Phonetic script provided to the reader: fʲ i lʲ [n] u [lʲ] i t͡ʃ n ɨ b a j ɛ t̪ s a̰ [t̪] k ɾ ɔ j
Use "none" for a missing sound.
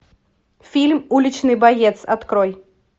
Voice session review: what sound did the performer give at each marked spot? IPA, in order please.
m, lʲ, t̪

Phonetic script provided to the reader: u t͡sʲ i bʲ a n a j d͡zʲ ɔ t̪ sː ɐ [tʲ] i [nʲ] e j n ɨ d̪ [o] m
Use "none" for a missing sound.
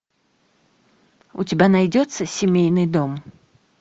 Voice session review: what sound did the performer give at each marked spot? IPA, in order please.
sʲ, mʲ, ɔ

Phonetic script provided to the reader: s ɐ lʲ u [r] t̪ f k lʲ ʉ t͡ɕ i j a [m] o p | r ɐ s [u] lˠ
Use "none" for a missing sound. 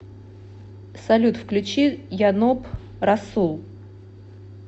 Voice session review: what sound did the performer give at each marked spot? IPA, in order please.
none, n, u

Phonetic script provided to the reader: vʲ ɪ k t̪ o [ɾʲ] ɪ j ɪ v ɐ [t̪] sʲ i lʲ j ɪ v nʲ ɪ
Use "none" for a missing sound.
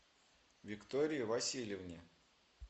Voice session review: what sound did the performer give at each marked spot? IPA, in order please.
ɾʲ, none

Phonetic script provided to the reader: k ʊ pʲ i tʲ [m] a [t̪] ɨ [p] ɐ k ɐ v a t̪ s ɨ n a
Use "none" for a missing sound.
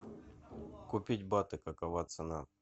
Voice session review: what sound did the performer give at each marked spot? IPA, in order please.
b, t̪, k

